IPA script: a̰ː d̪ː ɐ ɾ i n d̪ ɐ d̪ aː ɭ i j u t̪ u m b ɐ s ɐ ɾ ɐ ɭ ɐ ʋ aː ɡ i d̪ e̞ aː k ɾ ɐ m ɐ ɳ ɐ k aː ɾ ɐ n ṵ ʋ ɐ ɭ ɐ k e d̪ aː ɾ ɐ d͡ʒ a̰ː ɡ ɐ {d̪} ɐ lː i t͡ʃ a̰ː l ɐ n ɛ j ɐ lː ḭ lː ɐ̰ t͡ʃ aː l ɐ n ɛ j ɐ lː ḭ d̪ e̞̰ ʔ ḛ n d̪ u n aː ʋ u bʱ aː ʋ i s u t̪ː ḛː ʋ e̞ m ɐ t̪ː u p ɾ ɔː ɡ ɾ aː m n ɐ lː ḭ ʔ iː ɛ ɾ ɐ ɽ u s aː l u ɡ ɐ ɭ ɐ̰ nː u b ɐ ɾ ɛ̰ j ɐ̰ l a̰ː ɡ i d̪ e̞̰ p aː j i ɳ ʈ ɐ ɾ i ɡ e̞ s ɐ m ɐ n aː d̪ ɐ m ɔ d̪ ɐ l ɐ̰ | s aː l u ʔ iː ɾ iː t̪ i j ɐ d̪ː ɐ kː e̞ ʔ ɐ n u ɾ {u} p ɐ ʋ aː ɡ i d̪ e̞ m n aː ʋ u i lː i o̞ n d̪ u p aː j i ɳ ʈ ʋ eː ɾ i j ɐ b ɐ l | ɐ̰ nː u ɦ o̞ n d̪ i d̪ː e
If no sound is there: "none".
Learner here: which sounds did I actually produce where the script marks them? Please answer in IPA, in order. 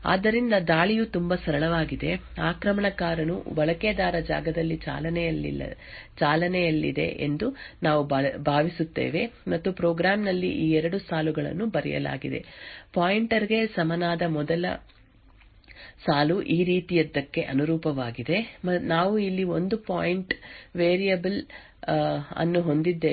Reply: d̪, uː

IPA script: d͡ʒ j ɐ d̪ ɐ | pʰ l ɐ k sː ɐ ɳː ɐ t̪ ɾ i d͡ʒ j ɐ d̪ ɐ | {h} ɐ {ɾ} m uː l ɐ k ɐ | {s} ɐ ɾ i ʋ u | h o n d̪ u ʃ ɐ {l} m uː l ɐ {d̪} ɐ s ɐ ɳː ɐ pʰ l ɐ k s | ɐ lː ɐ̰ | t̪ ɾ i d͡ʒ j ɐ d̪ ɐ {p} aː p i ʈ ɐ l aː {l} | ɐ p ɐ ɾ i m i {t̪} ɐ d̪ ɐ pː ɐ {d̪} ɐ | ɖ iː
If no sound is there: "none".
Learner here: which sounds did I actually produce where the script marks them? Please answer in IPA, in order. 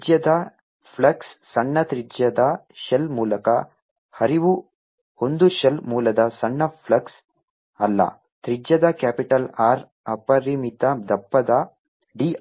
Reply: ʃ, l, h, l, d̪, k, ɾ, t̪, d̪

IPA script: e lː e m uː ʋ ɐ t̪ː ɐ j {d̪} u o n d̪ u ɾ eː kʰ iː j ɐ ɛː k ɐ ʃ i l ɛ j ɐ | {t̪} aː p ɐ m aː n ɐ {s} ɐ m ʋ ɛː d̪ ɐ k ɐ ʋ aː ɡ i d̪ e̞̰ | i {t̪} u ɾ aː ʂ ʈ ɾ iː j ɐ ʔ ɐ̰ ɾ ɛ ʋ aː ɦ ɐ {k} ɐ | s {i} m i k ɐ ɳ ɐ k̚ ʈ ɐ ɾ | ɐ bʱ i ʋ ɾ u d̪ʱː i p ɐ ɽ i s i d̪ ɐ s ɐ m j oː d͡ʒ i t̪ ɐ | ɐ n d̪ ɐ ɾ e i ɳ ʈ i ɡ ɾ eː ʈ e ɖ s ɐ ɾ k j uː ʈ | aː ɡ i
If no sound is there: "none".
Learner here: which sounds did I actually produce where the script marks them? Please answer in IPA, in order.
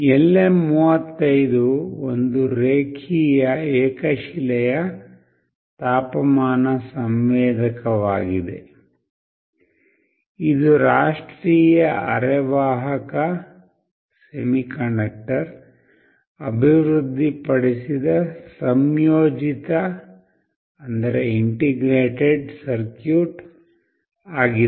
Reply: d̪, t̪, s, d̪, k, e

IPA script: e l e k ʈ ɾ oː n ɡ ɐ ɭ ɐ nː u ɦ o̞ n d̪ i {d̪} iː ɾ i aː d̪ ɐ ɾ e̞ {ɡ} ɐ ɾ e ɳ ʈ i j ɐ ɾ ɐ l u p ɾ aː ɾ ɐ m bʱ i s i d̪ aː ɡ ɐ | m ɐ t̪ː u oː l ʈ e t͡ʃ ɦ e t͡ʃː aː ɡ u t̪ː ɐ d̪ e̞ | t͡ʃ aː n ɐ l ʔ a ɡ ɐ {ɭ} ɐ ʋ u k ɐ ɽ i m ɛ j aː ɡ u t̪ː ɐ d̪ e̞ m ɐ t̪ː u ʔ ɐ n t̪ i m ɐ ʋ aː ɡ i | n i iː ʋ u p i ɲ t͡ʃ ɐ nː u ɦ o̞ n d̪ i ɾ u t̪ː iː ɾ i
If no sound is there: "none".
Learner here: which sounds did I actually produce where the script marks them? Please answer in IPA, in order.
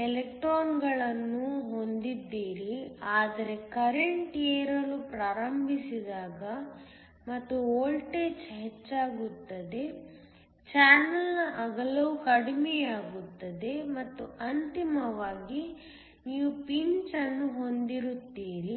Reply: d̪ː, k, l

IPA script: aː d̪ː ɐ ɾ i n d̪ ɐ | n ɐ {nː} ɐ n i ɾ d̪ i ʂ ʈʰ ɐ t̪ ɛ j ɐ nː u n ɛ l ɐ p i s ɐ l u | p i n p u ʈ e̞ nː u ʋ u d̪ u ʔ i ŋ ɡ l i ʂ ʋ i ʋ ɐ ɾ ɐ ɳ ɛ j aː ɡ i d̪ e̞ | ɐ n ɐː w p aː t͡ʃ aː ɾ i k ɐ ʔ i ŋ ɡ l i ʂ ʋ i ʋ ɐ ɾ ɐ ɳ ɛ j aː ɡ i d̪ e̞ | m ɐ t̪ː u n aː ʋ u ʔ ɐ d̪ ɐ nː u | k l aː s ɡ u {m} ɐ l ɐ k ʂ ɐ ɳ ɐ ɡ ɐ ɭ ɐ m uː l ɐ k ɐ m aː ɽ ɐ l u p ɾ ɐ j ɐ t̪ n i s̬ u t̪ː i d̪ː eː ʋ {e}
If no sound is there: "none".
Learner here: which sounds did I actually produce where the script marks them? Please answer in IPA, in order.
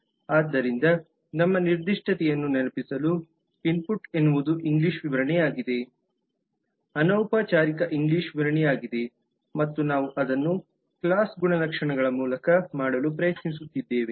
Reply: mː, ɳ, e

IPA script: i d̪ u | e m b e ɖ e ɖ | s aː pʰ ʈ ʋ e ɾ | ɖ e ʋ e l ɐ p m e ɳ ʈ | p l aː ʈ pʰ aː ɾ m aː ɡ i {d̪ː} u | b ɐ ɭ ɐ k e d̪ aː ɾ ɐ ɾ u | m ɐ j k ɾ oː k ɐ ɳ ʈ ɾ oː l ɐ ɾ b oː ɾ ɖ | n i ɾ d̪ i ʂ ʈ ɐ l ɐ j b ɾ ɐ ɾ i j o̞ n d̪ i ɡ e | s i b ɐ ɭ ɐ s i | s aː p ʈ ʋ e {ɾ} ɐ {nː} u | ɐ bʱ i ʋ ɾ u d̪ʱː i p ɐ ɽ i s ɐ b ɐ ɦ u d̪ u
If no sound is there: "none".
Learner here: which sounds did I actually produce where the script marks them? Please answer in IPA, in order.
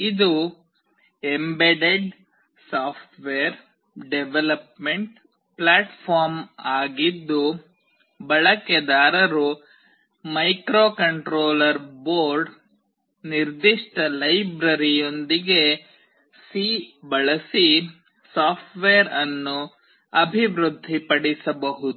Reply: d̪ː, ɾ, nː

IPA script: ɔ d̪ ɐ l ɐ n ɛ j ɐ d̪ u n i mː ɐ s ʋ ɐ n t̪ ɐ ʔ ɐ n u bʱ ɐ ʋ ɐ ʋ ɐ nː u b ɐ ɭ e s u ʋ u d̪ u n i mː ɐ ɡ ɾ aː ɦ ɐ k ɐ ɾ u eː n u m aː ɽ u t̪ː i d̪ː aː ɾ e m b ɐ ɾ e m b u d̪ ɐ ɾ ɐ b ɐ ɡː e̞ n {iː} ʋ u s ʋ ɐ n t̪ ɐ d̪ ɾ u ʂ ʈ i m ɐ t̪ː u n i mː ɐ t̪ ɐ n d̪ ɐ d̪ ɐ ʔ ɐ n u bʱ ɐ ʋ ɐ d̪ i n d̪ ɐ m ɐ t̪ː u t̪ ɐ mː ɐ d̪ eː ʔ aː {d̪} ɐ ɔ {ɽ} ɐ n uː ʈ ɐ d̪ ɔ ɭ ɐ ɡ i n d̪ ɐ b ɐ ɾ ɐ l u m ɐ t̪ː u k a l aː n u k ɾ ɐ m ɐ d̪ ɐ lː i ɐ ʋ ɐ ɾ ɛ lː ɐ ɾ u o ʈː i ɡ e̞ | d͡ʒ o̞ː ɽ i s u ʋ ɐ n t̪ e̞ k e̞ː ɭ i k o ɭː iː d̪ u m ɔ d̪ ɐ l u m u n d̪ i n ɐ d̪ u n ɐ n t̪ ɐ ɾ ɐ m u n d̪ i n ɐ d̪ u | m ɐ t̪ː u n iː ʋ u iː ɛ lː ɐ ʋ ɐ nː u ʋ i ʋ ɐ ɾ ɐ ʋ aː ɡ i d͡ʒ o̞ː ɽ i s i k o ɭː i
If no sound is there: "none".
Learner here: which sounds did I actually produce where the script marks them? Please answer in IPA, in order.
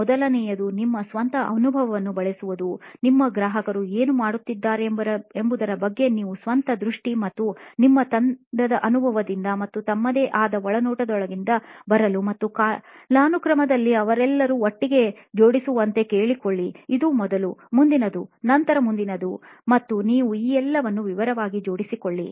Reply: iː, d̪, ɭ

